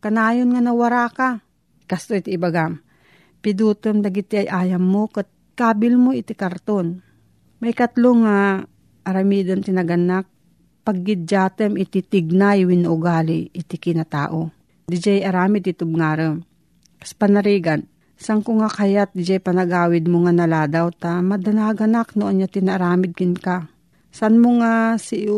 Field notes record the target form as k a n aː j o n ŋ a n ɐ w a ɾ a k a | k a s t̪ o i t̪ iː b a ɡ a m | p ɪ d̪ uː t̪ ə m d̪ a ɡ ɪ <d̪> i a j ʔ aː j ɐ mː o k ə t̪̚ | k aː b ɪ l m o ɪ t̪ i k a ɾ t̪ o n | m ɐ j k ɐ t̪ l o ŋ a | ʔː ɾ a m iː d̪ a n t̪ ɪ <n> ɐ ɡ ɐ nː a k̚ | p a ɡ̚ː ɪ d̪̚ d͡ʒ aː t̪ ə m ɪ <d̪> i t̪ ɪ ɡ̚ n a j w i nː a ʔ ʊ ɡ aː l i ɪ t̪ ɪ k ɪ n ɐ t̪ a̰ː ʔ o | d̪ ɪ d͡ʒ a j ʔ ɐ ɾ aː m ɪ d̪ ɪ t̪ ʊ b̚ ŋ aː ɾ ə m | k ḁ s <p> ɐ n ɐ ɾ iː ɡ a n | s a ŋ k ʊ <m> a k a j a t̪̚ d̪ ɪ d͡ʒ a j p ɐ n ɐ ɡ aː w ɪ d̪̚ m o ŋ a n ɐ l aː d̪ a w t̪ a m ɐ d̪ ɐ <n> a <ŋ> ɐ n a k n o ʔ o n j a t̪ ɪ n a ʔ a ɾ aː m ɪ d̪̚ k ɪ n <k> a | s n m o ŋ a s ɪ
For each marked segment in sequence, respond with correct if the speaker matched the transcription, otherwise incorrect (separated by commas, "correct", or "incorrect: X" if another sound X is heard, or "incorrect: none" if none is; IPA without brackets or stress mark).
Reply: incorrect: t̪, correct, incorrect: t̪, correct, incorrect: ŋ, correct, incorrect: ɡ, correct